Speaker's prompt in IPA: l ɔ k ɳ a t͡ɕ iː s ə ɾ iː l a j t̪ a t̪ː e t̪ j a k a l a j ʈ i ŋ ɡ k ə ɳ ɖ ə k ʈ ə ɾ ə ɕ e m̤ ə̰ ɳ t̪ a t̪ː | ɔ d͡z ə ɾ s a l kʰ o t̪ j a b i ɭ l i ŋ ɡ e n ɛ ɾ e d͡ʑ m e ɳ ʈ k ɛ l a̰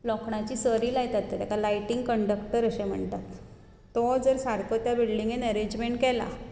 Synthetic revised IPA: l ɔ k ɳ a t͡ɕ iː s ə ɾ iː l a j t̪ a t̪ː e t̪ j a k a l a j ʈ i ŋ ɡ k ə ɳ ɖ ə k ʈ ə ɾ ə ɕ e m̤ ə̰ ɳ t̪ a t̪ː | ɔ d͡z ə ɾ s a ɾ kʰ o t̪ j a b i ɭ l i ŋ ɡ e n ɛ ɾ e d͡ʑ m e ɳ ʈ k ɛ l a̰

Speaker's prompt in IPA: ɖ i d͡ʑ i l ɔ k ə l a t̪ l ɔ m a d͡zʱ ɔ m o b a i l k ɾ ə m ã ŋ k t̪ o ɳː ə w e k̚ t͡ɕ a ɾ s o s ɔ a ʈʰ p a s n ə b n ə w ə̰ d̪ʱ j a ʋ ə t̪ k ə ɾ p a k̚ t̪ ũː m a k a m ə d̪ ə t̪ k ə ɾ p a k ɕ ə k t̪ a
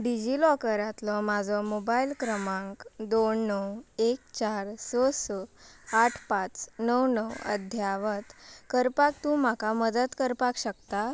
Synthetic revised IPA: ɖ i d͡ʑ i l ɔ k ə ɾ a t̪ l ɔ m a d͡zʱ ɔ m o b a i l k ɾ ə m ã ŋ k d̪ o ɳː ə w e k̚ t͡ɕ a ɾ s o s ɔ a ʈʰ p a t͡s n ə w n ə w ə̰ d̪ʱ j a ʋ ə t̪ k ə ɾ p a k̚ t̪ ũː m a k a m ə d̪ ə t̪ k ə ɾ p a k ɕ ə k t̪ a

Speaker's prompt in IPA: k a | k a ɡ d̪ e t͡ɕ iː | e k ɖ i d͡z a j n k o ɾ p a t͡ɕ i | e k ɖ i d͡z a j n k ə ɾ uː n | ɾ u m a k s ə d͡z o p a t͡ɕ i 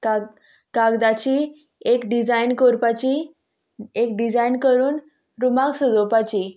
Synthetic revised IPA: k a | k a ɡ d̪ a t͡ɕ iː | e k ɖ i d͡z a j n k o ɾ p a t͡ɕ i | e k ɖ i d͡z a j n k ə ɾ uː n | ɾ u m a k s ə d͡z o p a t͡ɕ i

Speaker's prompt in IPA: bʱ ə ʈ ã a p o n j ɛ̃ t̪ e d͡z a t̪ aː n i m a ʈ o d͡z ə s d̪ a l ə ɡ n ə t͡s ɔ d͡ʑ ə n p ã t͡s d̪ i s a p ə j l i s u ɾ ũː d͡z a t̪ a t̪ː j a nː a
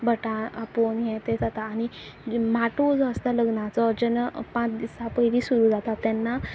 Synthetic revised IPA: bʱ ə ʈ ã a p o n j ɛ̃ t̪ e d͡z a t̪ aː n i m a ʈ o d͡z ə s t̪ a l ə ɡ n a t͡s ɔ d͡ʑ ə n p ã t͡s d̪ i s a p ə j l i s u ɾ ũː d͡z a t̪ a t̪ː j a nː a

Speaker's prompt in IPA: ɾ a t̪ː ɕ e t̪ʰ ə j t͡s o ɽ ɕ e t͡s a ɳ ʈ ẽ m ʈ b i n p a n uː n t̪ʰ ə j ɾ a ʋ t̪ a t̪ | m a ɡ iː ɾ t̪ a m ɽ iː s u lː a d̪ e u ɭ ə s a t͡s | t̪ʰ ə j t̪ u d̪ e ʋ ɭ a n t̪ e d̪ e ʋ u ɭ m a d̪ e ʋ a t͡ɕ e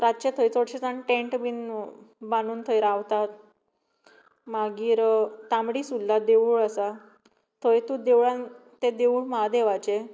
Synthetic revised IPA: ɾ a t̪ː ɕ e t̪ʰ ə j t͡s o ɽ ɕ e t͡s a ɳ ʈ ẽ ɳ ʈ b i n b a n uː n t̪ʰ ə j ɾ a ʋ t̪ a t̪ | m a ɡ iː ɾ t̪ a m ɽ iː s u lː a d̪ e u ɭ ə s a | t̪ʰ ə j t̪ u d̪ e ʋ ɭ a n t̪ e d̪ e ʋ u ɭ m a d̪ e ʋ a t͡ɕ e

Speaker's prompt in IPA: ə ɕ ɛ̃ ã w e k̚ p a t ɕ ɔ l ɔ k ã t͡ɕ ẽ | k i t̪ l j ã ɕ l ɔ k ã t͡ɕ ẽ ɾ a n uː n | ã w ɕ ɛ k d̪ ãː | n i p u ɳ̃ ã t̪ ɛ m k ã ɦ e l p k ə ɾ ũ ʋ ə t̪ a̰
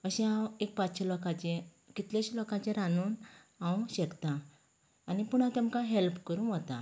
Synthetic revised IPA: ə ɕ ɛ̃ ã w e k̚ p a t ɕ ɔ l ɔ k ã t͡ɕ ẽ | k i t̪ l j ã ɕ l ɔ k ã t͡ɕ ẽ ɾ a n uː n | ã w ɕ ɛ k t̪ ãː | n i p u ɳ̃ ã t̪ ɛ m k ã ɦ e l p k ə ɾ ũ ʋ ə t̪ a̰

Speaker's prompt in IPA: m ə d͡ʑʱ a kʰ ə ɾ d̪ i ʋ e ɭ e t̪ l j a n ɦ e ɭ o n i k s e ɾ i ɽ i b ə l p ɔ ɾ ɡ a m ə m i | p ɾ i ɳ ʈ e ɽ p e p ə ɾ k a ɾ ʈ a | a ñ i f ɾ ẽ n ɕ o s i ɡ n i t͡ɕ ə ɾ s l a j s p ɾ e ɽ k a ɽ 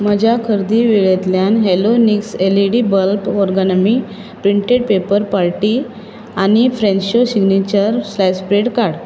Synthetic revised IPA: m ə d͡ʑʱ a kʰ ə ɾ d̪ i ʋ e ɭ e t̪ l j a n ɦ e l o n i k s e l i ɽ i b ə l p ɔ ɾ ɡ a n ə m i | p ɾ i ɳ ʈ e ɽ p e p ə ɾ p a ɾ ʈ i | a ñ i f ɾ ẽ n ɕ o s i ɡ n i t͡ɕ ə ɾ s l a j s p ɾ e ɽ k a ɽ

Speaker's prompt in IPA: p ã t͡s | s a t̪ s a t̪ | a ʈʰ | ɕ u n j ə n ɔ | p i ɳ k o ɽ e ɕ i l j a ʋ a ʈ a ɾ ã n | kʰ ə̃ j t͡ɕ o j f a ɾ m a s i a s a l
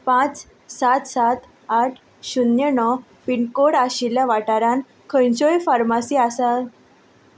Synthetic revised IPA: p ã t͡s | s a t̪ s a t̪ | a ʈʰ | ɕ u n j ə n ɔ | p i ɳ k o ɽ a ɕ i l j a ʋ a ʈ a ɾ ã n | kʰ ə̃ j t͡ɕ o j f a ɾ m a s i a s a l

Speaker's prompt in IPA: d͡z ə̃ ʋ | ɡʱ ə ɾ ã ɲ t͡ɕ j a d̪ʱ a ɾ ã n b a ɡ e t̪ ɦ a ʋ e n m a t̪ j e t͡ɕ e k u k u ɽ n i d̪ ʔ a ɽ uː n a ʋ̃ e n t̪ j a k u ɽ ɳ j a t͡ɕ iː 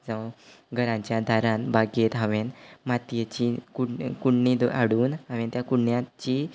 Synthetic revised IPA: d͡z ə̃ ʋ | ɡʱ ə ɾ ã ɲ t͡ɕ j a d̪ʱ a ɾ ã n b a ɡ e t̪ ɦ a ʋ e n m a t̪ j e t͡ɕ i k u k u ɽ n i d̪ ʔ a ɽ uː n a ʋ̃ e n t̪ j a k u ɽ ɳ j a t͡ɕ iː

